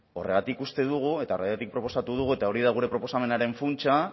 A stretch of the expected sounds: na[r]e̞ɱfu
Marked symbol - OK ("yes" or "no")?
no